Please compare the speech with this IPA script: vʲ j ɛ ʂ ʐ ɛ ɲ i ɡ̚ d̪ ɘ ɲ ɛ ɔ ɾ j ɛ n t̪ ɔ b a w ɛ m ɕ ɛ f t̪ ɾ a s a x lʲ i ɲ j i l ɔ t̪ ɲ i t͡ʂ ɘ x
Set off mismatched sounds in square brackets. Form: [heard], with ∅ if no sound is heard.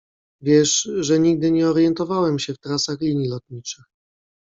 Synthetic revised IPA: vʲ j ɛ ʂ ʐ ɛ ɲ i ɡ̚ d̪ ɘ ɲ ɛ ɔ ɾ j ɛ n t̪ ɔ [v] a w ɛ m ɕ ɛ f t̪ ɾ a s a x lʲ i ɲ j i l ɔ t̪ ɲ i t͡ʂ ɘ x